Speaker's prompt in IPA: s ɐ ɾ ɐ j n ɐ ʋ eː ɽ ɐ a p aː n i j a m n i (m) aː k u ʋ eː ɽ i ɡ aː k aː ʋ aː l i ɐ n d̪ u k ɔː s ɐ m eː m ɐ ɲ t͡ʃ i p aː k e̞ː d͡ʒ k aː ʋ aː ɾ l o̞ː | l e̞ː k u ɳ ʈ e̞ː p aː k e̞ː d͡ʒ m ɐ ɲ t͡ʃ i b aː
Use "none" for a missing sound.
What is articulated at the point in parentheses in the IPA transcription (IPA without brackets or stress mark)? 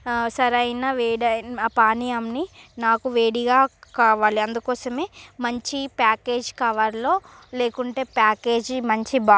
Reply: n